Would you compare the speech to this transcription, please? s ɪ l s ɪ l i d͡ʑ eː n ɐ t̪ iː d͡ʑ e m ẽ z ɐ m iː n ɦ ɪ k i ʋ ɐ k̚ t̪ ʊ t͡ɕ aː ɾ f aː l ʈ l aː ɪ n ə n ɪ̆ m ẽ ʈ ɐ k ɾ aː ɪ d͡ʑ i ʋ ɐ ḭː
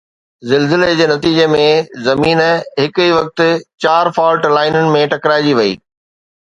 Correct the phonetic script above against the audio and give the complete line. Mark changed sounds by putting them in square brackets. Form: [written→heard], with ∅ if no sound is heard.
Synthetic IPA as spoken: [s→z] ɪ l [s→z] ɪ l [i→e] d͡ʑ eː n ɐ t̪ iː d͡ʑ e m ẽ z ɐ m iː n ɦ ɪ k i ʋ ɐ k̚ t̪ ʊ t͡ɕ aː ɾ f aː l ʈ l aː ɪ n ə n ɪ̆ m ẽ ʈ ɐ k ɾ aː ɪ d͡ʑ i ʋ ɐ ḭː